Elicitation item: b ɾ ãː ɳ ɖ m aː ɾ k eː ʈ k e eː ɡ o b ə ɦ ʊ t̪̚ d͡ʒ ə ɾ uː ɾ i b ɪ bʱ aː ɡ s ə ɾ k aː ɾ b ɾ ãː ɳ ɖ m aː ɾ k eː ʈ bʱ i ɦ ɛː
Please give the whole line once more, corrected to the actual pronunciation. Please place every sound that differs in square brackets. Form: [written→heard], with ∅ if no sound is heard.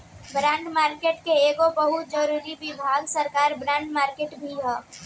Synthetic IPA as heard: b ɾ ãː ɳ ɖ m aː ɾ k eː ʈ k e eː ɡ o b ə ɦ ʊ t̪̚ d͡ʒ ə ɾ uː ɾ i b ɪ bʱ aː ɡ s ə ɾ k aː ɾ b ɾ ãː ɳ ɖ m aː ɾ k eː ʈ bʱ i ɦ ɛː